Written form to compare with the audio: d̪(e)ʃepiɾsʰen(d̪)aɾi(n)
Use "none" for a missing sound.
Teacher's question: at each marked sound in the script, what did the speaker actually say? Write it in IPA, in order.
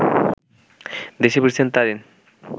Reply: e, t̪, n

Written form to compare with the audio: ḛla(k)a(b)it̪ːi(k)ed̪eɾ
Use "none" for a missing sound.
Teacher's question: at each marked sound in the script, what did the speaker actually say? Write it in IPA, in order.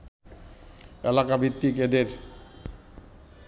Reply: k, b, k

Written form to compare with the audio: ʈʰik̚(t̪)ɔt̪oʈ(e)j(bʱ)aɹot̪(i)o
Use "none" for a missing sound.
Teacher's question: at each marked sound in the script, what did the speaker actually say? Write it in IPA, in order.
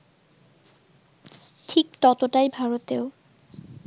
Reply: t̪, a, bʱ, e

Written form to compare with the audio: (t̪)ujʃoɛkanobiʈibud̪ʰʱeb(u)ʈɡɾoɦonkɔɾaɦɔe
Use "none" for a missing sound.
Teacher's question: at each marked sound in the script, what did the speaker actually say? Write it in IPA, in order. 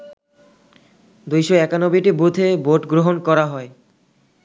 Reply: d̪, o

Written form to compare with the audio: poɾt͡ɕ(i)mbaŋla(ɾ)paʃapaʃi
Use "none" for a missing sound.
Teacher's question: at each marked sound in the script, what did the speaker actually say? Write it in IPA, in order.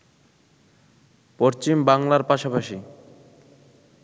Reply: i, ɾ

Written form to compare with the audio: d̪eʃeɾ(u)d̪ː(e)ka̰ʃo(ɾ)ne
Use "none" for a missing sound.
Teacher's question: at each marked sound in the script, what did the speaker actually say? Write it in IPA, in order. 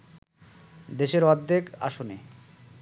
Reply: ɔ, e, none

